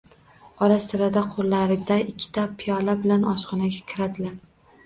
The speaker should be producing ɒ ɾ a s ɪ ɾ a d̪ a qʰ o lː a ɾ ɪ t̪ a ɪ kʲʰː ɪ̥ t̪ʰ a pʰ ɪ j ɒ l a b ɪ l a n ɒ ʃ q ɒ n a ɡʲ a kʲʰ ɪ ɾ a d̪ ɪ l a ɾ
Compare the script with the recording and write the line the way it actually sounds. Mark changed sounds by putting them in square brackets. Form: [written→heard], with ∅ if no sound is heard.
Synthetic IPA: ɒ ɾ a s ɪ ɾ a d̪ a qʰ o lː a ɾ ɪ [t̪→d̪] a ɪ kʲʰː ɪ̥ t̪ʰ a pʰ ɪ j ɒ l a b ɪ l a n ɒ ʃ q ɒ n a ɡʲ a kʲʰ ɪ ɾ a d̪ ɪ l a ɾ